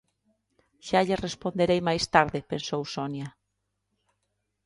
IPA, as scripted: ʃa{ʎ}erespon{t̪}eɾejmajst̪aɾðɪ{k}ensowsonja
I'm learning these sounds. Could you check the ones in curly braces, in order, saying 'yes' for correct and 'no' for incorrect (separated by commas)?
yes, no, no